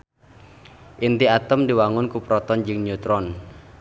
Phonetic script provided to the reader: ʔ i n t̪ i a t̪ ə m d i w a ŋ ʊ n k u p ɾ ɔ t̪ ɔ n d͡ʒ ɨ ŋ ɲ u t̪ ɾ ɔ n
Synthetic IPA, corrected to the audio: ʔ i n t̪ i a t̪ ə m d i w a ŋ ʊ n k u p ɾ ɔ t̪ ɔ n d͡ʒ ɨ ŋ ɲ u t̪ ɾ ɔ n